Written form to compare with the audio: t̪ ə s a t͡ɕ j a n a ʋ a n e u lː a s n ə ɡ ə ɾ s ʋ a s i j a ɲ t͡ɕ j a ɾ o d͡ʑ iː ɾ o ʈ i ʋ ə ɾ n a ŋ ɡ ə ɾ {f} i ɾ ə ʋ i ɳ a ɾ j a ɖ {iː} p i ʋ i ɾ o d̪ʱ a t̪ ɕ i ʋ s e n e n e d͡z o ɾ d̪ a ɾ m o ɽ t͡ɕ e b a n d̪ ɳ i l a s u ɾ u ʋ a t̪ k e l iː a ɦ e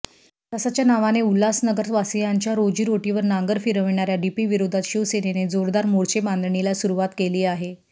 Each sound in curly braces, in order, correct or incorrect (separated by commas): correct, incorrect